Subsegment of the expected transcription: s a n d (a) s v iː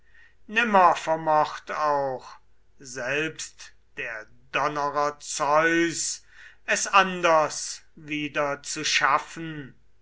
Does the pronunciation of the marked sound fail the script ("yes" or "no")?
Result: yes